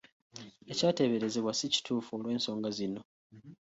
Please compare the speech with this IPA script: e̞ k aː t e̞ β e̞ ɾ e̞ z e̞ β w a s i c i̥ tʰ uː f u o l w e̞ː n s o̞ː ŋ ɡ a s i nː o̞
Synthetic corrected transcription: e̞ c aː t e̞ β e̞ ɾ e̞ z e̞ β w a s i c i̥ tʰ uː f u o l w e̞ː n s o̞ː ŋ ɡ a z i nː o̞